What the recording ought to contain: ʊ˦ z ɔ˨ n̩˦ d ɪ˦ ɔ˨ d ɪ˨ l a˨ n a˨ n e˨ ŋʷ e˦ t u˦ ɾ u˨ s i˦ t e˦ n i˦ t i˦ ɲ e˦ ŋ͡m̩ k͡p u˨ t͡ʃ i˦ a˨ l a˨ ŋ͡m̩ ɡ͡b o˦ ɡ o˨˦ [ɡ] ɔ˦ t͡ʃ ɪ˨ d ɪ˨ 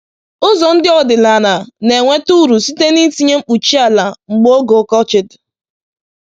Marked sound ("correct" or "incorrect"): incorrect